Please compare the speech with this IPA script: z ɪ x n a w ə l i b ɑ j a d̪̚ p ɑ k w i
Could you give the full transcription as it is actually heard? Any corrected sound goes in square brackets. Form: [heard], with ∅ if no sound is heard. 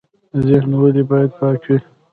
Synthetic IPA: z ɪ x n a w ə l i b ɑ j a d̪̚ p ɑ k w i